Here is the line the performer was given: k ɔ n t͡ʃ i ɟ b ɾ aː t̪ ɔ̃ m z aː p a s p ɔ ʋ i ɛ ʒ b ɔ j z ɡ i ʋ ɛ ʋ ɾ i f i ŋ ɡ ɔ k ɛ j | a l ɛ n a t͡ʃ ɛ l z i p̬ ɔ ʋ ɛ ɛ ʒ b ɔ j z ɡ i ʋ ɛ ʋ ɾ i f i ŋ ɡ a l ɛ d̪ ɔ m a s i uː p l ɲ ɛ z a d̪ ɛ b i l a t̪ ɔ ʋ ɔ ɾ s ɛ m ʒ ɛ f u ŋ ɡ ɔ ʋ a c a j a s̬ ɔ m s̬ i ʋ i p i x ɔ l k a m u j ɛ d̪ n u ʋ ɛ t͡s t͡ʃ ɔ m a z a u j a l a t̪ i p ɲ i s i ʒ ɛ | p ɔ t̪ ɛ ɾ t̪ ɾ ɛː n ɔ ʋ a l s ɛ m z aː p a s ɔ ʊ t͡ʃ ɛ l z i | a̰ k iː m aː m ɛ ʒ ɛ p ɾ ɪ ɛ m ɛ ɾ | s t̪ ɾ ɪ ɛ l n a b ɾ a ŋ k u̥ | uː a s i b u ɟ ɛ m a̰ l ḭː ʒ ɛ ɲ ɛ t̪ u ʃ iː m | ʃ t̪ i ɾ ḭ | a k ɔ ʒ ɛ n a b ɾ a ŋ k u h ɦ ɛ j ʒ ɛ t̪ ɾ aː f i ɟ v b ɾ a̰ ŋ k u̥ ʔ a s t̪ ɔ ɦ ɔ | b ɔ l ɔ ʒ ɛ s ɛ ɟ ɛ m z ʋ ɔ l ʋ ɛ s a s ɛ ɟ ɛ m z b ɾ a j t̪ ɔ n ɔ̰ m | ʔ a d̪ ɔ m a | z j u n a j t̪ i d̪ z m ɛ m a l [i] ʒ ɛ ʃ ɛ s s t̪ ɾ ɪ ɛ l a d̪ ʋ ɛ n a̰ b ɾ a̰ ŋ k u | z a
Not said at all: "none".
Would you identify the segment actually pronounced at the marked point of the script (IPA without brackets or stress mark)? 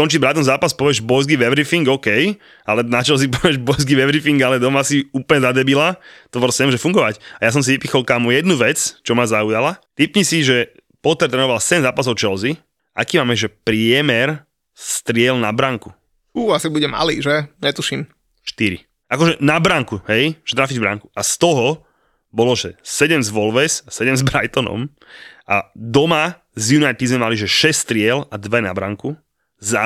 i